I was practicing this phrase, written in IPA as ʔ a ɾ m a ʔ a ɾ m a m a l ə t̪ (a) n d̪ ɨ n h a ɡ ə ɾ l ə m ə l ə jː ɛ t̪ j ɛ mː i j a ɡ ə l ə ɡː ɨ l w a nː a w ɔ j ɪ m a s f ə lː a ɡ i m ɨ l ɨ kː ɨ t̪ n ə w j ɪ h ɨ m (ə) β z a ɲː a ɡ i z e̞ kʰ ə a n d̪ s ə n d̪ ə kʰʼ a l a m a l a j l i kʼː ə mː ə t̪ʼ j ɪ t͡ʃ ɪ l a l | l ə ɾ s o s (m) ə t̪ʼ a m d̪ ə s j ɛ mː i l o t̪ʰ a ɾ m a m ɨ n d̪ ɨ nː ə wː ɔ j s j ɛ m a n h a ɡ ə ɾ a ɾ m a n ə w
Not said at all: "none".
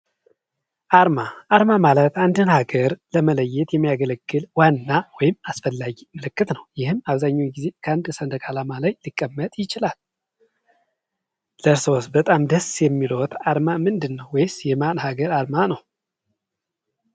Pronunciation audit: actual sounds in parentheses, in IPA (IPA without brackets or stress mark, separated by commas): a, a, b